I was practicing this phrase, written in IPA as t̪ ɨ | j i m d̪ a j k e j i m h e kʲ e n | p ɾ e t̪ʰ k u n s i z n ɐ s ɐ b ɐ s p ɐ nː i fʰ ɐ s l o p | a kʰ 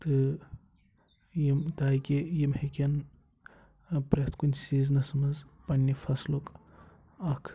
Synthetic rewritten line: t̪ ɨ | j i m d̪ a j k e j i m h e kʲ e n | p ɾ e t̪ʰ k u n s i z n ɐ s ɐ m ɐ z p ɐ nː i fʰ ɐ s l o k | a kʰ